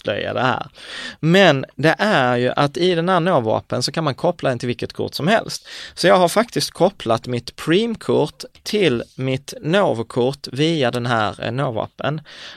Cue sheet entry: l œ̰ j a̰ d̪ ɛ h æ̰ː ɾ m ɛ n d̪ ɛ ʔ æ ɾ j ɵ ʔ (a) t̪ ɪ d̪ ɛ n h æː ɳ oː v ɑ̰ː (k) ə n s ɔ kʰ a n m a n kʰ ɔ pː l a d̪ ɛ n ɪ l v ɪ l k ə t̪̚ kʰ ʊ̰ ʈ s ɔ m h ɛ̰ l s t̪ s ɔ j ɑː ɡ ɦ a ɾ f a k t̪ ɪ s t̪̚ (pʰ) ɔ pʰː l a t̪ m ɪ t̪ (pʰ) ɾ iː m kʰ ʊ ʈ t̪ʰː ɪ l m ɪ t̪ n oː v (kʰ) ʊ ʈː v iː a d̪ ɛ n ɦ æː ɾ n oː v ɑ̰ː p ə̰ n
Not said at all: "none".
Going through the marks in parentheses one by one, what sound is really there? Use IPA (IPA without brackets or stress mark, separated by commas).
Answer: a, p, kʰ, pʰ, kʰ